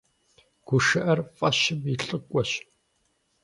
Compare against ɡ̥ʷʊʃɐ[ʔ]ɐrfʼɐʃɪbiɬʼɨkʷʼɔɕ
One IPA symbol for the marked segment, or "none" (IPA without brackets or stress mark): ʔ